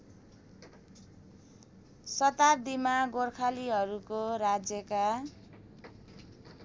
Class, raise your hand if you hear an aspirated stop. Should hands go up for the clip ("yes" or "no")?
yes